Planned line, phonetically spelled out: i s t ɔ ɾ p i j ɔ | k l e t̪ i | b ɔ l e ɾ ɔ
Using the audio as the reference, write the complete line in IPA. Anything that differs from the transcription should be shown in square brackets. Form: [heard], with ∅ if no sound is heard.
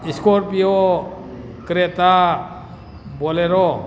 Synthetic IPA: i s [k] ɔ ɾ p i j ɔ | k [ɾ] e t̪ [a] | b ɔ l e ɾ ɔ